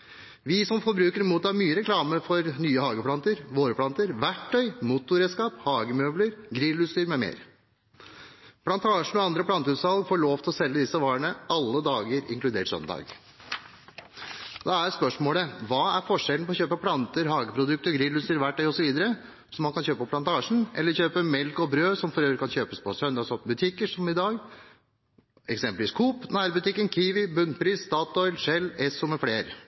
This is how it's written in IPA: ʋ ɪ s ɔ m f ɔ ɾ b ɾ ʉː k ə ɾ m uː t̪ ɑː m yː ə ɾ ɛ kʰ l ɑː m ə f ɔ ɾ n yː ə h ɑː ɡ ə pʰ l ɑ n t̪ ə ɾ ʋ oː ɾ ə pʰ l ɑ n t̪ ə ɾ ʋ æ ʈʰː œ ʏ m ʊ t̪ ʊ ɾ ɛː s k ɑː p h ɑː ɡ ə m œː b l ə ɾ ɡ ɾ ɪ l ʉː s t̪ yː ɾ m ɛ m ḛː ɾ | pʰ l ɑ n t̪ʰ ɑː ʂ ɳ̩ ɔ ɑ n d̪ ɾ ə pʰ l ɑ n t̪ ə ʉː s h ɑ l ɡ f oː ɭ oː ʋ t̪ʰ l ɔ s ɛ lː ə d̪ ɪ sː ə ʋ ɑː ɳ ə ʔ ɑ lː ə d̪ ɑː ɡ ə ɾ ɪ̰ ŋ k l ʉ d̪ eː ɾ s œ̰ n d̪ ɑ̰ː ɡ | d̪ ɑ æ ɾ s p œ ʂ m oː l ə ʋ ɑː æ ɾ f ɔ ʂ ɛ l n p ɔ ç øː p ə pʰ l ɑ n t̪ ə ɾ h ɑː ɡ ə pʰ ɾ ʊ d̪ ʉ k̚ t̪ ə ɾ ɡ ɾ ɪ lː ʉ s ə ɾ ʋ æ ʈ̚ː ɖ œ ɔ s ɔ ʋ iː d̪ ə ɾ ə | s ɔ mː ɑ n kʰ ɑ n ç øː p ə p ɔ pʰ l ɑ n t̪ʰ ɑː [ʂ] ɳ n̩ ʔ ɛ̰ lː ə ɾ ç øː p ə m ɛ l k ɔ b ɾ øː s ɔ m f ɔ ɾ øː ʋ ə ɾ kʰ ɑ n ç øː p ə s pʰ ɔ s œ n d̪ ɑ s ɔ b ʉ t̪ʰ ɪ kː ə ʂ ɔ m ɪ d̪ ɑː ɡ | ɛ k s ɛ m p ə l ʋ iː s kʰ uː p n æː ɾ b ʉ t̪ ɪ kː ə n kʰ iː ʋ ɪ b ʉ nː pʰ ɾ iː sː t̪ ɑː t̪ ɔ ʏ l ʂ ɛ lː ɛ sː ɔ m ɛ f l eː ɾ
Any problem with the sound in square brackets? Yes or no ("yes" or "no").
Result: no